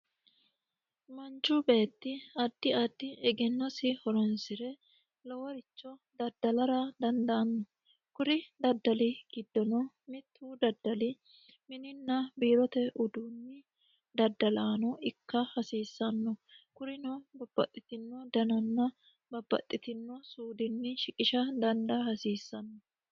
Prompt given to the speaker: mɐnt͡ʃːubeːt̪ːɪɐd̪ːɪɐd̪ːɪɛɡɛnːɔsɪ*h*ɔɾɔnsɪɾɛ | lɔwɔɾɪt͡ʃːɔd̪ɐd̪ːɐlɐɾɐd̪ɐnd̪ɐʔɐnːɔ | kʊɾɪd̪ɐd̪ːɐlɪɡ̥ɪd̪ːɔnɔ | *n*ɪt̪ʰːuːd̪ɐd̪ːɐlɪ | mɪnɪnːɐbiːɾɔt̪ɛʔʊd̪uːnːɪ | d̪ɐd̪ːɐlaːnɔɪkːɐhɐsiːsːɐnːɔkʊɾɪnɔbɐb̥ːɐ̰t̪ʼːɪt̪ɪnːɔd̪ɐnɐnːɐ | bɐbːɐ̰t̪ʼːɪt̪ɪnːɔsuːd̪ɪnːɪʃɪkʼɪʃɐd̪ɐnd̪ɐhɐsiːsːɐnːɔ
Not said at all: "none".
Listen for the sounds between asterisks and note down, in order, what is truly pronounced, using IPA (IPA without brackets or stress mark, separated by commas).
h, m